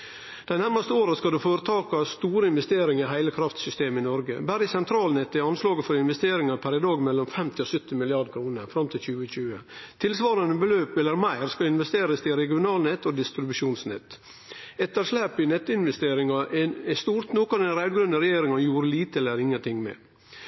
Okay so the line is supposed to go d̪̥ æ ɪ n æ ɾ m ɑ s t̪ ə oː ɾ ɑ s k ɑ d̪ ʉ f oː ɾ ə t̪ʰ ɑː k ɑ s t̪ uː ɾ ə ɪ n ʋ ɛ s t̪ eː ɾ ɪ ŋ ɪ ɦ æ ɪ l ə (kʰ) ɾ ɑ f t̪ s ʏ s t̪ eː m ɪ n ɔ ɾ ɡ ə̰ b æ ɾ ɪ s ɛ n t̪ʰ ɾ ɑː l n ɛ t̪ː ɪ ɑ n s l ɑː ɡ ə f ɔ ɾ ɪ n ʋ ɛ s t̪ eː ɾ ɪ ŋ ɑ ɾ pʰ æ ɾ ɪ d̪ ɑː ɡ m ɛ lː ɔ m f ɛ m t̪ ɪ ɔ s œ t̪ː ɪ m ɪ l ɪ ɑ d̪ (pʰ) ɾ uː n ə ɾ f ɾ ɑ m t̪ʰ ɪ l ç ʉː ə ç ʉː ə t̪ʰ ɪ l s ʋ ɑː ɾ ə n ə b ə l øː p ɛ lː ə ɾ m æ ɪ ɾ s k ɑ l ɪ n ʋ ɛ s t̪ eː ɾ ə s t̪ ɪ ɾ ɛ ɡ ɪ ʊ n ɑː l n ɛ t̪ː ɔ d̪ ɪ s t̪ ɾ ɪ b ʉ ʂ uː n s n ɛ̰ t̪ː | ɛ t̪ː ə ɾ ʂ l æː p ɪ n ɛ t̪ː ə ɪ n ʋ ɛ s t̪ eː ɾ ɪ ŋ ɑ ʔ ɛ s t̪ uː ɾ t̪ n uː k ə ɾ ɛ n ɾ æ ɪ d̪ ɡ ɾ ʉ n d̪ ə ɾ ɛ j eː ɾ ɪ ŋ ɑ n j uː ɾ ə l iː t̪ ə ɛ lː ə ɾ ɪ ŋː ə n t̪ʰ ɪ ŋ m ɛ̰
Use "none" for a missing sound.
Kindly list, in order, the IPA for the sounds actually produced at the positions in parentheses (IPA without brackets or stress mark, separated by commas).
kʰ, kʰ